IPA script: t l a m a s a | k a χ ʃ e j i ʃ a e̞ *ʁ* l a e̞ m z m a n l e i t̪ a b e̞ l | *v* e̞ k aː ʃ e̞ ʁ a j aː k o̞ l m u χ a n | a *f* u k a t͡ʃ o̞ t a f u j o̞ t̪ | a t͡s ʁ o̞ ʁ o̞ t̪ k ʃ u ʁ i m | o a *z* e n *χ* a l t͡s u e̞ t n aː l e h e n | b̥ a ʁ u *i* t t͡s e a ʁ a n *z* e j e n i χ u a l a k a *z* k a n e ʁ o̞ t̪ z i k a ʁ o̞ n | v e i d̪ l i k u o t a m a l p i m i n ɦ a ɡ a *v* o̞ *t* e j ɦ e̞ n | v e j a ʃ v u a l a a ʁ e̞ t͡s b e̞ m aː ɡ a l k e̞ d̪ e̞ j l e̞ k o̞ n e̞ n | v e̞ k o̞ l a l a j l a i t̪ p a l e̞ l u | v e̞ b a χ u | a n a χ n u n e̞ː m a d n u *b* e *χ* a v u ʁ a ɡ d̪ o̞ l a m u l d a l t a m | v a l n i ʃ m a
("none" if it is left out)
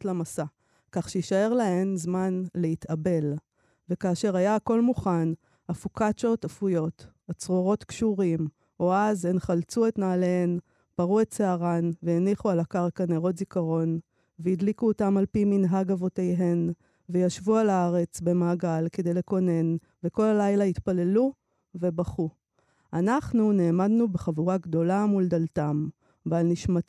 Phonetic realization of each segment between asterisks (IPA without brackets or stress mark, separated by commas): ʁ, v, f, z, χ, e, v, ʁ, v, t, b, χ